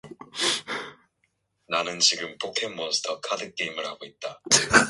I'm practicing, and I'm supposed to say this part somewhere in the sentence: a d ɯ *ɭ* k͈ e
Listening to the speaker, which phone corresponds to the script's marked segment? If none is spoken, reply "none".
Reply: none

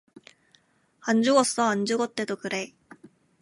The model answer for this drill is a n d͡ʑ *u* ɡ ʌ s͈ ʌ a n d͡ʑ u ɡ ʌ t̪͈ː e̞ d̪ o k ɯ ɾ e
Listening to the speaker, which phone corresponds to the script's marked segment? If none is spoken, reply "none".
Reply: u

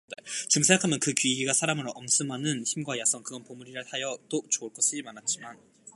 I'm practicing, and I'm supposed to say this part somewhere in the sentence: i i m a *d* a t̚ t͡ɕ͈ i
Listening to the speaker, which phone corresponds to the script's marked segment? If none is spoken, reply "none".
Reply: n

